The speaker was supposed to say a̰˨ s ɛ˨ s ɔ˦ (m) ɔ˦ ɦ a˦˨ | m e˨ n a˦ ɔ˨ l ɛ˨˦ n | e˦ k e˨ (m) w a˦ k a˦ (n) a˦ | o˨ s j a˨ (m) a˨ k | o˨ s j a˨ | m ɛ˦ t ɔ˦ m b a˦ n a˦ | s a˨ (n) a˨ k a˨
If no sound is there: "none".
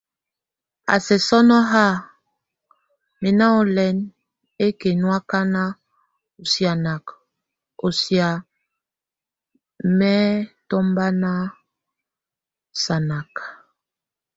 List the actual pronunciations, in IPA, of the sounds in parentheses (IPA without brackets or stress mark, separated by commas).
n, n, n, n, n